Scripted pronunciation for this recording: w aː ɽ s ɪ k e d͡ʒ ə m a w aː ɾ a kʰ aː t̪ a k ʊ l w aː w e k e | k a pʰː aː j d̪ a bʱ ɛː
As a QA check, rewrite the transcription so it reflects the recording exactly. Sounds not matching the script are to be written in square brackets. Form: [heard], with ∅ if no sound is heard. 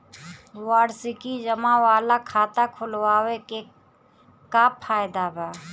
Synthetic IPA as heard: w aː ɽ s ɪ k [i] d͡ʒ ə m a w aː [l] a kʰ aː t̪ a [kʰ] ʊ l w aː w e k e | k a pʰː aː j d̪ a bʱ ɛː